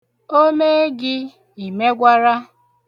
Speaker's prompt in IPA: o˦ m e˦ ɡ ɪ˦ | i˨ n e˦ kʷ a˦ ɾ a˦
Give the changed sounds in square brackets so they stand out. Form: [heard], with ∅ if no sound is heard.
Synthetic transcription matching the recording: o˦ m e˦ ɡ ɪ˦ | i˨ [m] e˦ [ɡʷ] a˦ ɾ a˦